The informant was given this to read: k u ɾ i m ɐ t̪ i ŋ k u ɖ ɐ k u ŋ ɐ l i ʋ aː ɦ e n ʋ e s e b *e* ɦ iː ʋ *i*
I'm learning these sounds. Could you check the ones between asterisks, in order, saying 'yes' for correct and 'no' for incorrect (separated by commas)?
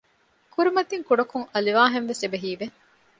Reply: yes, no